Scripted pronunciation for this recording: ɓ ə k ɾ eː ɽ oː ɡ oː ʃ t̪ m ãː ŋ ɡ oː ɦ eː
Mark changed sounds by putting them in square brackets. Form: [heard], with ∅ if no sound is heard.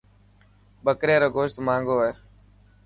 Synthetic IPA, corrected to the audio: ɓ ə k ɾ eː [ɾ] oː ɡ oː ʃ t̪ m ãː ŋ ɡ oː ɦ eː